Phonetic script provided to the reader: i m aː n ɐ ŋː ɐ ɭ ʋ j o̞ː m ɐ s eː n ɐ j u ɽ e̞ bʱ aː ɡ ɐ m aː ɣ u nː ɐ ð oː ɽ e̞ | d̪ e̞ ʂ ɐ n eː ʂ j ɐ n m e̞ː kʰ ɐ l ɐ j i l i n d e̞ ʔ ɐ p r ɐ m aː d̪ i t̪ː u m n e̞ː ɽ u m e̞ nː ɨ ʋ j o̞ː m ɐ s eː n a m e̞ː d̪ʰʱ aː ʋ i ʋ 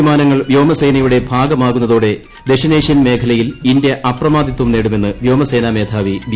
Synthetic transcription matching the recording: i m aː n ɐ ŋː ɐ ɭ ʋ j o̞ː m ɐ s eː n ɐ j u ɽ e̞ bʱ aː ɡ ɐ m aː ɣ u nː ɐ ð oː ɽ e̞ | d̪ e̞ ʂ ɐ n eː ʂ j ɐ n m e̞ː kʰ ɐ l ɐ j i l i n d e̞ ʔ ɐ p r ɐ m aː d̪ i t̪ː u m n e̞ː ɽ u m e̞ nː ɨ ʋ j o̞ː m ɐ s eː n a m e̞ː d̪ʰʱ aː ʋ i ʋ